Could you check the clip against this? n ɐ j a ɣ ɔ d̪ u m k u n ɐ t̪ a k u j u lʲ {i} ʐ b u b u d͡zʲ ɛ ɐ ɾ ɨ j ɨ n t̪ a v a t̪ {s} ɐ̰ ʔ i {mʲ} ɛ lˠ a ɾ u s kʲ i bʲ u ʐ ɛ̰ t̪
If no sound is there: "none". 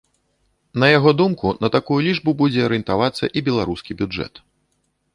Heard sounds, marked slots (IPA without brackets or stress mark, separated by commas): i, sː, bʲ